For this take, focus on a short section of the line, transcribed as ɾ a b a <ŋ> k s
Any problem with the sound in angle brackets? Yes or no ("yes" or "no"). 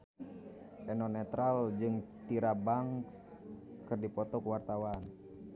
no